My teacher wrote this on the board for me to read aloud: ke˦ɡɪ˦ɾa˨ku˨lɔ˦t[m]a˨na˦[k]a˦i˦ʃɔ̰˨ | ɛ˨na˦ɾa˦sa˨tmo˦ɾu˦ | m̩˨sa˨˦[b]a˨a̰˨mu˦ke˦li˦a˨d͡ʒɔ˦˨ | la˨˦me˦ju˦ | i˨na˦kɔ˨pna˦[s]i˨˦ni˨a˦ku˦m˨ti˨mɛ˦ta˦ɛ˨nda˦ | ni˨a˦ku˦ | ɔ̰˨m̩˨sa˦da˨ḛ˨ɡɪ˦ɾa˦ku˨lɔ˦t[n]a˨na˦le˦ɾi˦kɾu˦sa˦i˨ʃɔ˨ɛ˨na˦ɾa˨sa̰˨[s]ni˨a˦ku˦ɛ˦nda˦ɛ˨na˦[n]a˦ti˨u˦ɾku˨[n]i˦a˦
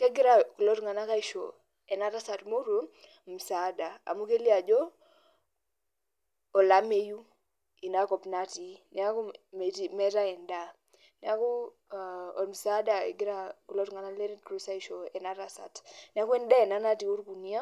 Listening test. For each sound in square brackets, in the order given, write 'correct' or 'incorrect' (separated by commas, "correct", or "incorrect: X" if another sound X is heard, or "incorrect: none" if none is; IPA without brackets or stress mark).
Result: incorrect: ŋ, correct, incorrect: d, incorrect: t, incorrect: ŋ, incorrect: t, correct, correct